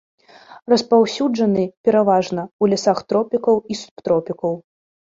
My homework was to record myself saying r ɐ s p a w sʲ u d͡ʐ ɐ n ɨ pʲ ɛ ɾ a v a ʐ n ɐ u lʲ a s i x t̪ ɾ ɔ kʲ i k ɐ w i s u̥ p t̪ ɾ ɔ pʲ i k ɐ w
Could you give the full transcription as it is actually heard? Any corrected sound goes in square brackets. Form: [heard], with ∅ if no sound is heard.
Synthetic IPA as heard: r ɐ s p a w sʲ u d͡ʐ ɐ n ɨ pʲ ɛ ɾ a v a ʐ n ɐ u lʲ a s [a] x t̪ ɾ ɔ [pʲ] i k ɐ w i s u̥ p t̪ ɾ ɔ pʲ i k ɐ w